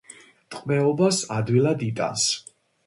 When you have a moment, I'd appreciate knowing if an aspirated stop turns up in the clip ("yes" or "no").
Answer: no